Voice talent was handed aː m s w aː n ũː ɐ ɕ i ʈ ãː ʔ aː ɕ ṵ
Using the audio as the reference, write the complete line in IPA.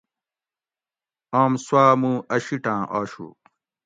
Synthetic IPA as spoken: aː m s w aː m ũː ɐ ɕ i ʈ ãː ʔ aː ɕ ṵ